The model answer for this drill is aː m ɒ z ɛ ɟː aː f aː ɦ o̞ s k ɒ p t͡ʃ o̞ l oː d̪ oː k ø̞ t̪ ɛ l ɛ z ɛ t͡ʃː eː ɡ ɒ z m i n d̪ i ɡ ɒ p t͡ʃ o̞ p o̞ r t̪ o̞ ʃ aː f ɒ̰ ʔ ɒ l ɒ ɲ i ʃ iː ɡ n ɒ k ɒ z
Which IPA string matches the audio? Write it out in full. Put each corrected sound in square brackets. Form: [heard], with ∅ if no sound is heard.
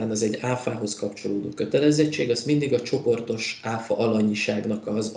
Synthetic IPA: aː [n] ɒ z ɛ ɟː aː f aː ɦ o̞ s k ɒ p t͡ʃ o̞ l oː d̪ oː k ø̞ t̪ ɛ l ɛ z ɛ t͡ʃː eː ɡ ɒ z m i n d̪ i ɡ ɒ [∅] t͡ʃ o̞ p o̞ r t̪ o̞ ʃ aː f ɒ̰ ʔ ɒ l ɒ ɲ i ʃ [aː] ɡ n ɒ k ɒ z